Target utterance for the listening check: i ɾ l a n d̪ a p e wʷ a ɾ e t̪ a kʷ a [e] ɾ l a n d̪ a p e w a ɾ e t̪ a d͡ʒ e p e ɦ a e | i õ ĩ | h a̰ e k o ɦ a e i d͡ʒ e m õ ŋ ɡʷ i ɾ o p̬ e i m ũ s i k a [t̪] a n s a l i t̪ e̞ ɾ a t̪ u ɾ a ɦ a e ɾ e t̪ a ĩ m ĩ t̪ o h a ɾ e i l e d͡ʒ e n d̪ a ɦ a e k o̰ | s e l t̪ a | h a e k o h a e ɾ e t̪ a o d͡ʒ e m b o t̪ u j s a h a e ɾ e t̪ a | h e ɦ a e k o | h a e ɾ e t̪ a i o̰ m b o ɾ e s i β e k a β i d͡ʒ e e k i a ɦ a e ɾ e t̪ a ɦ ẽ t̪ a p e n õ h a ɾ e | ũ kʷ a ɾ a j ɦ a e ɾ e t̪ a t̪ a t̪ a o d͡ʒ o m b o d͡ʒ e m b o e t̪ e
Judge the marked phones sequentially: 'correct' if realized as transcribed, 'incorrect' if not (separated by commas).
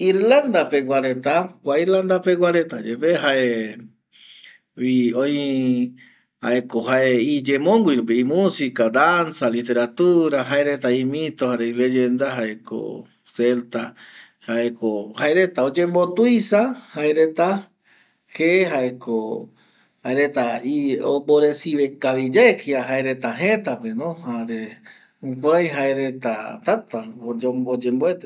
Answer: incorrect, incorrect